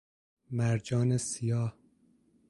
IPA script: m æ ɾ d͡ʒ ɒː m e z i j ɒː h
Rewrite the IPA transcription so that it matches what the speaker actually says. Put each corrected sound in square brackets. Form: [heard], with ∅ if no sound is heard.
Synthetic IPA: m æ ɾ d͡ʒ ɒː [n] e [s] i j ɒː h